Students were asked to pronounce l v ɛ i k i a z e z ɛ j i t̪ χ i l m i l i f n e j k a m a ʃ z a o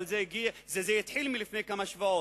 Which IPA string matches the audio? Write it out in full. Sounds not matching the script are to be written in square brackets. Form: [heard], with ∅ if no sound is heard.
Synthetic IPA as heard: l [z] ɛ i [ɡ] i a z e z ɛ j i t̪ [ħ] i l m i l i f n e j k a m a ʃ [v] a o